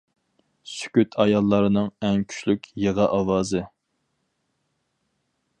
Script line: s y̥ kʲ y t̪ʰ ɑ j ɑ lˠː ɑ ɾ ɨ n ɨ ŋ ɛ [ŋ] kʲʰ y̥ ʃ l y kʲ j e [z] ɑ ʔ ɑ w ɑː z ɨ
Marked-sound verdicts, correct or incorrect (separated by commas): correct, incorrect